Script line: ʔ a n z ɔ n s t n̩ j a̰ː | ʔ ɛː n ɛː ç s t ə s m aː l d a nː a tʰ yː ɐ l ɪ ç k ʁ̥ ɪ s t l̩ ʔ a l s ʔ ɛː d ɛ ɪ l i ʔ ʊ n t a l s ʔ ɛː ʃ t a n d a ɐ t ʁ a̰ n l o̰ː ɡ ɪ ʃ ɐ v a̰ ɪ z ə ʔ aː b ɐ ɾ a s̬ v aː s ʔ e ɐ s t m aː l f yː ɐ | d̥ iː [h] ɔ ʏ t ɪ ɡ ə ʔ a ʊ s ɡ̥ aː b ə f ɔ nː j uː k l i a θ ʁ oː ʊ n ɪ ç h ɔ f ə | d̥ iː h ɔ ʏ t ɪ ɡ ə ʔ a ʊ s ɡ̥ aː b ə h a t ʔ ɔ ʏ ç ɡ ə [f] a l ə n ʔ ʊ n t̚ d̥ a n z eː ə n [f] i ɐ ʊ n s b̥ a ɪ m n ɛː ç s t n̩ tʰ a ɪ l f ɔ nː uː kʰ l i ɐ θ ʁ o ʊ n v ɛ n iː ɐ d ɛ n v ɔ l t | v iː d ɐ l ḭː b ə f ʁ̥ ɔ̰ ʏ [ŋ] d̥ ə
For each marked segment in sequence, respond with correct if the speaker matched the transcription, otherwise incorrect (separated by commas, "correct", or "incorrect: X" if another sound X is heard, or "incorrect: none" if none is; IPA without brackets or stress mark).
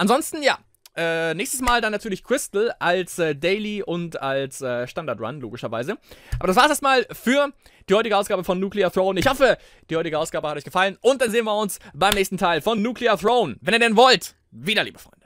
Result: correct, correct, incorrect: v, incorrect: n